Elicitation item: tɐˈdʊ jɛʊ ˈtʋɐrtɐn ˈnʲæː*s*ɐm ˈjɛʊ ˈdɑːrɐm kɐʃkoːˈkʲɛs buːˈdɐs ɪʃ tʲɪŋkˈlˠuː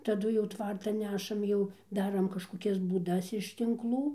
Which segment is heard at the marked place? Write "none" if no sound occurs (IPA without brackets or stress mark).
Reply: ʃ